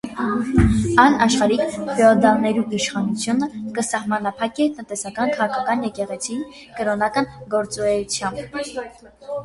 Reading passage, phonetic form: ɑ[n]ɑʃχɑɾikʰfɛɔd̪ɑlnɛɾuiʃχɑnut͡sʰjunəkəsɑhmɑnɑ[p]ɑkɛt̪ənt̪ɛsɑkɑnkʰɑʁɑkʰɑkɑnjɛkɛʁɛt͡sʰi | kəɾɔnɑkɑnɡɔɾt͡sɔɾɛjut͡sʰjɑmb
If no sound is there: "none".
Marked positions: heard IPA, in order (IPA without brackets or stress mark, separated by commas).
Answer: n, pʰ